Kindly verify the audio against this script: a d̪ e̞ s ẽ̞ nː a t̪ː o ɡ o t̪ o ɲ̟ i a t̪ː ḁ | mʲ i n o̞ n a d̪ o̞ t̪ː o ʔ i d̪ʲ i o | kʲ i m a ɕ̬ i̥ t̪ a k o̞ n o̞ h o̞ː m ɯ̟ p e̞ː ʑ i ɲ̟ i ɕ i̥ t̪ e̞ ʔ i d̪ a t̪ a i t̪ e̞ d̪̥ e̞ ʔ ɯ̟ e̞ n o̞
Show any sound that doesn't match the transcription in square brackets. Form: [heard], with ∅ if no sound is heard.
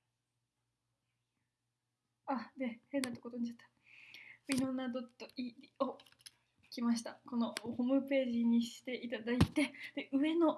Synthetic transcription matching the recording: a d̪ e̞ [h] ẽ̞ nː a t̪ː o [k] o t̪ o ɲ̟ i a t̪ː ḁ | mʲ i n o̞ n a d̪ o̞ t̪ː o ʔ i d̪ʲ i o | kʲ i m a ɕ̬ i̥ t̪ a k o̞ n o̞ h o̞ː m ɯ̟ p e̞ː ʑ i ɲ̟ i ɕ i̥ t̪ e̞ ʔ i [t̪] a [d̪] a i t̪ e̞ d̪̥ e̞ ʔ ɯ̟ e̞ n o̞

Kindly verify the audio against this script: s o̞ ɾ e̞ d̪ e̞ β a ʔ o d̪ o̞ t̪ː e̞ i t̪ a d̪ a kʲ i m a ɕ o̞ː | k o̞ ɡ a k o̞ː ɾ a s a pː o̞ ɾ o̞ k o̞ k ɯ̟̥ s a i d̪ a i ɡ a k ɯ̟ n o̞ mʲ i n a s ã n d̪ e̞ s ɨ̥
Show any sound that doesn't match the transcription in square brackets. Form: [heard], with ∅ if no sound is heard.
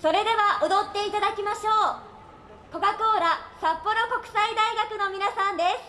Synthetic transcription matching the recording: s o̞ ɾ e̞ d̪ e̞ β a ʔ o d̪ o̞ t̪ː e̞ i t̪ a d̪ a kʲ i m a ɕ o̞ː | k o̞ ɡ a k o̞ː ɾ a s a pː o̞ ɾ o̞ k o̞ k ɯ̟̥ s a i d̪ a i ɡ a k ɯ̟ n o̞ mʲ i n a s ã n d̪ e̞ s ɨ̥

